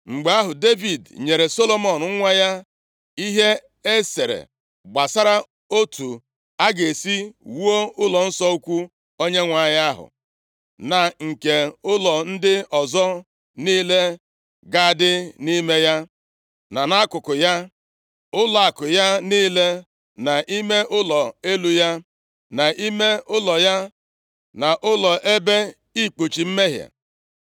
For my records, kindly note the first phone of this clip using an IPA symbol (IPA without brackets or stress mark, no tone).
ŋ͡m̩